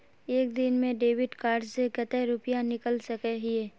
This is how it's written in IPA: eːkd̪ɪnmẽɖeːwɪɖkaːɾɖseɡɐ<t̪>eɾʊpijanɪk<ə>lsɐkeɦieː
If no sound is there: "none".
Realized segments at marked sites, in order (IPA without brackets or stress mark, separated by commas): t̪, ə